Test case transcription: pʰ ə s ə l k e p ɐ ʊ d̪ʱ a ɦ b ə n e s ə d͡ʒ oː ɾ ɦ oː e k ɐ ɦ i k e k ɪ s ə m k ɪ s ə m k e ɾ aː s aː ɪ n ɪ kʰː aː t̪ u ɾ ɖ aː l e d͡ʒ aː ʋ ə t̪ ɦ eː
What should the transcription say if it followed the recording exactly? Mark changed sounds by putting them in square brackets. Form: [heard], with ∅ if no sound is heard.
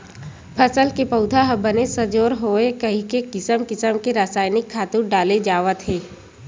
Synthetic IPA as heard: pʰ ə s ə l k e p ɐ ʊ d̪ʱ a ɦ b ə n e s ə d͡ʒ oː ɾ ɦ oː e k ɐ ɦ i k e k ɪ s ə m k ɪ s ə m k e ɾ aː s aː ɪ n ɪ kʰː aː t̪ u ɾ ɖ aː l e d͡ʒ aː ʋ ə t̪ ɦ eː